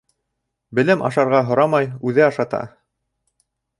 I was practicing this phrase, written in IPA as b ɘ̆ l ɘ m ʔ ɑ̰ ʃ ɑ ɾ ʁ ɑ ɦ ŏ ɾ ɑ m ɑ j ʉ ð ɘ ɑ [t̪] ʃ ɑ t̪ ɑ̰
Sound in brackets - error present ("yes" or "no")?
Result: yes